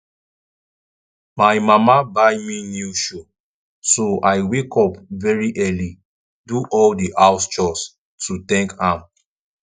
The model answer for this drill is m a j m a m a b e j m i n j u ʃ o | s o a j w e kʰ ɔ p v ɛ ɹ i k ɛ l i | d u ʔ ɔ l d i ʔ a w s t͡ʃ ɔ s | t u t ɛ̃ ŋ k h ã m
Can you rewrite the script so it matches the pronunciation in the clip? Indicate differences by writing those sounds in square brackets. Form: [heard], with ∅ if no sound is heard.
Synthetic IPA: m a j m a m a b [a] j m i n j u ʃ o | s o a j w e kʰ ɔ p v ɛ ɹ i [ʔ] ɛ l i | d u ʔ ɔ l d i ʔ a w s t͡ʃ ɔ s | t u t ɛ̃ ŋ k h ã m

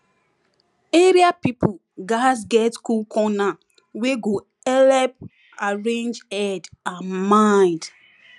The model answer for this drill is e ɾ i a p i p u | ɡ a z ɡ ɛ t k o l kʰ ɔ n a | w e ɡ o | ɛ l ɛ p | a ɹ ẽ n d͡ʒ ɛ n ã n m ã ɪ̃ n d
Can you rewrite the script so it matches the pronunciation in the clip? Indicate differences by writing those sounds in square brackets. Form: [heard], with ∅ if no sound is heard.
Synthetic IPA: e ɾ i a p i p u | ɡ a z ɡ ɛ t k [u] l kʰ ɔ n a | w e ɡ o | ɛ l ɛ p | a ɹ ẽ n d͡ʒ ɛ [d] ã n m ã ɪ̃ n d

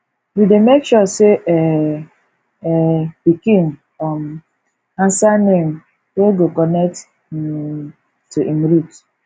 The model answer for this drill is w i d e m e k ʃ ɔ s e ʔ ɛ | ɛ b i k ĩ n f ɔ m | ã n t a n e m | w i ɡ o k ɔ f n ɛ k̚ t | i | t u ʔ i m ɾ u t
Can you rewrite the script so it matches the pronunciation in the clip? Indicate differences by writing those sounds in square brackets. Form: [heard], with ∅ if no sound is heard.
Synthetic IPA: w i d e m e k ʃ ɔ s e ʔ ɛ | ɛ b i k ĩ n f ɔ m | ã n [s] a n e m | w [e] ɡ o k ɔ [∅] n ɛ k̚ t | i | t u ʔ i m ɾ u t

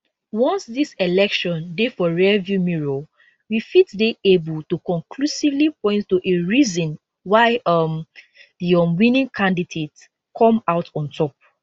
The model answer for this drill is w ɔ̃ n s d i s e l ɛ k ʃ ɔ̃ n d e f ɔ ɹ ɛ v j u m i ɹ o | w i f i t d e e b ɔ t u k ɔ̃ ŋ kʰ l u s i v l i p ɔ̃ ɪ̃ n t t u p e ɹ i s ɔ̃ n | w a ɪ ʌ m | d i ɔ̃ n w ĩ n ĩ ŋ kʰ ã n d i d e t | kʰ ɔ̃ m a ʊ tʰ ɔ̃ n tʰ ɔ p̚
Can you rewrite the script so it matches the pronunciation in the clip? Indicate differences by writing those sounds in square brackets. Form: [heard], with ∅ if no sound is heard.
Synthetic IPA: w ɔ̃ n s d i s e l ɛ k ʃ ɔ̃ n d e f ɔ ɹ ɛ v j u m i ɹ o | w i f i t d e e b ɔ t u k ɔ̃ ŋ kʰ l u s i v l i p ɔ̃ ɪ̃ n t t u [ʔ] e ɹ i [z] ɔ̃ n | w a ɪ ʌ m | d i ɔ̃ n w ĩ n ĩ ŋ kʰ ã n d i d e t | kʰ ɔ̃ m a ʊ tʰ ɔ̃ n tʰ ɔ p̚

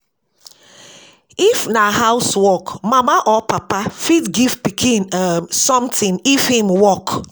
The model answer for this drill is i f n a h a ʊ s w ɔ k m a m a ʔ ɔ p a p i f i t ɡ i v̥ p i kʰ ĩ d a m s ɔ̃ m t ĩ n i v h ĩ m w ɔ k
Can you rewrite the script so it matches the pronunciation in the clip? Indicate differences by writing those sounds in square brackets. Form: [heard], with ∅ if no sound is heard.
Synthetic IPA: i f n a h a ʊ s w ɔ k m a m a ʔ ɔ p a p [a] f i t ɡ i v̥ p i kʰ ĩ [n] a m s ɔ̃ m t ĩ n i [f] h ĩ m w ɔ k

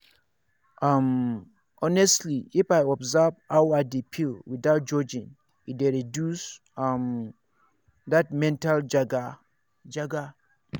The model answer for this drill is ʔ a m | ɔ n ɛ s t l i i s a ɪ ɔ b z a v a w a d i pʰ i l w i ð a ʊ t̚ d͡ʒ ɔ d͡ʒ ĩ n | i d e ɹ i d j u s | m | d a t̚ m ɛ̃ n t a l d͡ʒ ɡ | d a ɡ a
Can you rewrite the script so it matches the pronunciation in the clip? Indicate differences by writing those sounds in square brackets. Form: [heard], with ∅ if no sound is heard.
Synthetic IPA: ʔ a m | ɔ n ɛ s t l i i [f] a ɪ ɔ b z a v a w a d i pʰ i l w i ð a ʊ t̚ d͡ʒ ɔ d͡ʒ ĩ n | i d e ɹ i d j u s | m | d a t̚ m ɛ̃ n t a l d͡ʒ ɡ | [d͡ʒ] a ɡ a

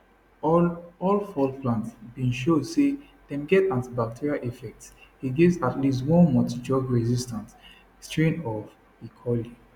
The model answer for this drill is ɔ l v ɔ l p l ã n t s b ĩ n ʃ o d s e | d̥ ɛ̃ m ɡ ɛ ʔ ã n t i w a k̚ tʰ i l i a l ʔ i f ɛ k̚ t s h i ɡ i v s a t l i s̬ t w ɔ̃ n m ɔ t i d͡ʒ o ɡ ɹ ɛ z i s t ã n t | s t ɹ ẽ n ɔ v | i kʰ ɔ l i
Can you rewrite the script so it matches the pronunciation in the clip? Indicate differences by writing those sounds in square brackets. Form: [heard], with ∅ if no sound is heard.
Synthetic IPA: ɔ l [f] ɔ l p l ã n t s b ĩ n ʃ o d s e | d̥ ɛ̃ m ɡ ɛ [t] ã n t i [b] a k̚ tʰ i [ɹ] i a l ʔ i f ɛ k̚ t s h i ɡ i v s a t l i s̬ t w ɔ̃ n m ɔ t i d͡ʒ [ɔ] ɡ ɹ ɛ z i s t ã n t | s t ɹ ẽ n ɔ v | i kʰ ɔ l i

